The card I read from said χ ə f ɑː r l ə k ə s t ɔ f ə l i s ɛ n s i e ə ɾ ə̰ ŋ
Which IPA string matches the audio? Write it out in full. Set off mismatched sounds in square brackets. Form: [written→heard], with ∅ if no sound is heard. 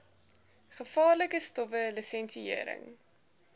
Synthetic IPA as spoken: χ ə f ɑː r l ə k ə s t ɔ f ə l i s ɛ n s i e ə ɾ ə̰ ŋ